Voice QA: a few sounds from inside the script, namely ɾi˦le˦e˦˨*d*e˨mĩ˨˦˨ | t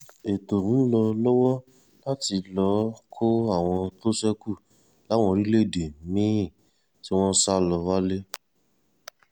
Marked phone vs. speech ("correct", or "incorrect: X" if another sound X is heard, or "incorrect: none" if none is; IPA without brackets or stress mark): correct